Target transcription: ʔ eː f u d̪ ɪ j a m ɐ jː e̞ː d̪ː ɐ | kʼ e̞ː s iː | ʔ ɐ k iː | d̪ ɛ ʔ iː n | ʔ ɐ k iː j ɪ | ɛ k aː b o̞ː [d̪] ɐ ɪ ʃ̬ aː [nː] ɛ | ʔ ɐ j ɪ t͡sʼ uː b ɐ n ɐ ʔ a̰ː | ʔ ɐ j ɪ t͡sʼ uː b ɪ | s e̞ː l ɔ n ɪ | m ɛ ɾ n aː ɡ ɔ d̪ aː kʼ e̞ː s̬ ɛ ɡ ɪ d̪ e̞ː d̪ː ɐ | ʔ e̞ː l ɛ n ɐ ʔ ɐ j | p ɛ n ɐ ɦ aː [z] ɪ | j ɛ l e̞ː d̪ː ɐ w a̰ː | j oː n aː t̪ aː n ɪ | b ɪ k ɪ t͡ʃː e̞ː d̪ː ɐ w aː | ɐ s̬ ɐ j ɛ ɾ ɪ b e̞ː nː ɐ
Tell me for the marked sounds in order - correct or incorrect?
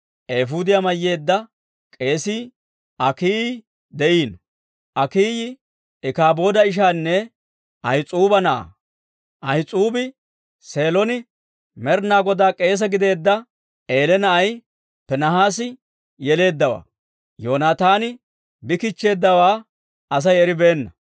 correct, correct, incorrect

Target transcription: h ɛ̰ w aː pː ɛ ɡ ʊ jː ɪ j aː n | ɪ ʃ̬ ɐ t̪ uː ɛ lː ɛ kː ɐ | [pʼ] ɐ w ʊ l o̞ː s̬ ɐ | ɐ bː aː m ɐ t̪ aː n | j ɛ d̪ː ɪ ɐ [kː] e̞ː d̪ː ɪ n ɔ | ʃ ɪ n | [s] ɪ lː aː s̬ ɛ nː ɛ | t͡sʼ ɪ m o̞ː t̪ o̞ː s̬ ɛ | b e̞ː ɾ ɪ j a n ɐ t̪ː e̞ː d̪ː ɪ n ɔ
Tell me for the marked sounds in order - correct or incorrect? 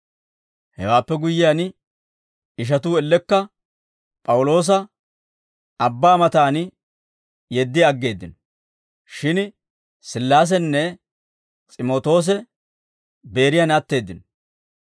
correct, incorrect, correct

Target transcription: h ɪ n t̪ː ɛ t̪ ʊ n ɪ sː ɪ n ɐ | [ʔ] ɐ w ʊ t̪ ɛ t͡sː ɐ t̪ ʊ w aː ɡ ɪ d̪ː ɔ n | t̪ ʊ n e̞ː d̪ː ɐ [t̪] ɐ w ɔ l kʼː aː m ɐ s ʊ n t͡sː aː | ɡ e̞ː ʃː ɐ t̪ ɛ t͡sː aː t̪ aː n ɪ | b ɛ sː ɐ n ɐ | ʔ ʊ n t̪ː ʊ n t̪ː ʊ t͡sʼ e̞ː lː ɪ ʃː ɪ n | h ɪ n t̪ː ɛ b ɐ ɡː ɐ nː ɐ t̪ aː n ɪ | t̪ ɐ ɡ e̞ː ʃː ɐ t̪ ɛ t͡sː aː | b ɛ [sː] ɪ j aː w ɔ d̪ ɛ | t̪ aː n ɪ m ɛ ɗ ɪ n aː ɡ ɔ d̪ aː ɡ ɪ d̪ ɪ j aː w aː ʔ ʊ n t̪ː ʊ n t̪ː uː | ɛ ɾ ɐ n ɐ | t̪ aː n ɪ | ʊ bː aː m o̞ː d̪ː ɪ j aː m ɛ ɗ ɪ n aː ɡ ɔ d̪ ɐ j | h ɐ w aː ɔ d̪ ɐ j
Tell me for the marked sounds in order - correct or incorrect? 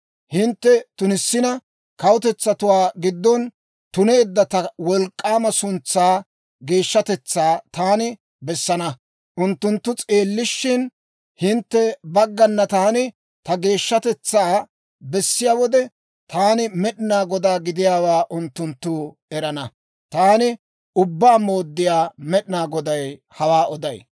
incorrect, correct, correct

